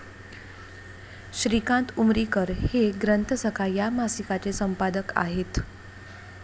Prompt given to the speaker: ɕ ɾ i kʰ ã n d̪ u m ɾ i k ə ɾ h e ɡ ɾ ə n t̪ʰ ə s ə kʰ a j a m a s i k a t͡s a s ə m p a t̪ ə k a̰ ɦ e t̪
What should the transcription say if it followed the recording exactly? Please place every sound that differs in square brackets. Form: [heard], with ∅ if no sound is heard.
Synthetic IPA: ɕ ɾ i [k] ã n [t̪] u m ɾ i k ə ɾ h e ɡ ɾ ə n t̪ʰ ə s ə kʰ a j a m a s i k a t͡s [e] s ə m p a [d̪] ə k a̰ ɦ e t̪